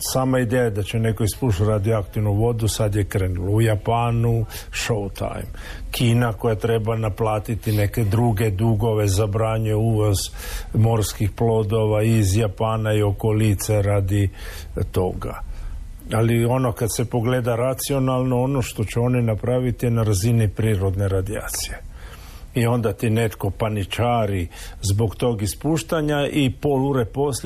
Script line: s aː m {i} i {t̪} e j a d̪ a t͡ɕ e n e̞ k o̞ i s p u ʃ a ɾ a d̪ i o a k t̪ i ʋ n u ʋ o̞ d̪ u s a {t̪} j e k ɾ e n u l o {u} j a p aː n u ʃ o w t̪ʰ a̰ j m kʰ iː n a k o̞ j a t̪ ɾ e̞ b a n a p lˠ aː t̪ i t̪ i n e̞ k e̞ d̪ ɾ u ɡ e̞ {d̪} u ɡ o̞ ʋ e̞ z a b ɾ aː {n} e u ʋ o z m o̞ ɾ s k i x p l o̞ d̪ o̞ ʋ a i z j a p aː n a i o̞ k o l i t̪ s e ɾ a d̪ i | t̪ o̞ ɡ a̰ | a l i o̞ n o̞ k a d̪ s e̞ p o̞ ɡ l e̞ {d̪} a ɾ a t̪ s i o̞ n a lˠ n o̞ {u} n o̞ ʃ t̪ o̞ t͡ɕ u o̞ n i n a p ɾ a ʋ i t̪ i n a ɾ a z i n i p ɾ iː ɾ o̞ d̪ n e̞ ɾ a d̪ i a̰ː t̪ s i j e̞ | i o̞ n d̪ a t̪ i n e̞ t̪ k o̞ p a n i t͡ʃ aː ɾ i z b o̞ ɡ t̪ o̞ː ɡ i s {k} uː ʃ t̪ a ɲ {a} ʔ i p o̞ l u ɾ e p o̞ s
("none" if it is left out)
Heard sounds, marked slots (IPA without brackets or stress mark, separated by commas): a, d̪, d̪, u, d̪, ɲ, d̪, o, p, a